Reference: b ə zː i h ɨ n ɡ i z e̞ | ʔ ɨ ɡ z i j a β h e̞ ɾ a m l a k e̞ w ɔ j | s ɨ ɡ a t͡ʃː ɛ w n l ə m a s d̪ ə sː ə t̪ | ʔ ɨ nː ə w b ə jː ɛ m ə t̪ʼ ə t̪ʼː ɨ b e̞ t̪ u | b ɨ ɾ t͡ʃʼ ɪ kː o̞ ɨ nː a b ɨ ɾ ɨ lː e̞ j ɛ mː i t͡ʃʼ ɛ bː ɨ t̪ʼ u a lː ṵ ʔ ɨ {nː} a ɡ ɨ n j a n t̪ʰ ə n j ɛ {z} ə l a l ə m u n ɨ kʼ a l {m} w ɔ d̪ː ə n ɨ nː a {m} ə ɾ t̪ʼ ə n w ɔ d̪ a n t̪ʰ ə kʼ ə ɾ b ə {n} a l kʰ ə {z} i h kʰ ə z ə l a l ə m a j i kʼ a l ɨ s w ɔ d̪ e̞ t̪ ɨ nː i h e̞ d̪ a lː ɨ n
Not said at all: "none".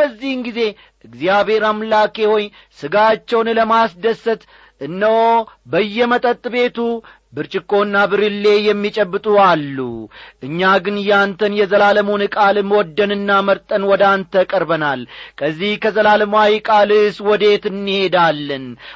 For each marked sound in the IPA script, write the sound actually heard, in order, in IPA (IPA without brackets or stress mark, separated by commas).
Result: ɲː, z, m, m, n, zː